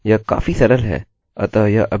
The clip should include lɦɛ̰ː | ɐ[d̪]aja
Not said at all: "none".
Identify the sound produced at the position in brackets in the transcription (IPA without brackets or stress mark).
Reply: t̪